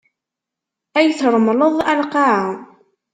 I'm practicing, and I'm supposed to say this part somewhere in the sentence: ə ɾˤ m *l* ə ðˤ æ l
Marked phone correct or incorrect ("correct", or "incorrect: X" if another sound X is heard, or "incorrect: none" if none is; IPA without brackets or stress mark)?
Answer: correct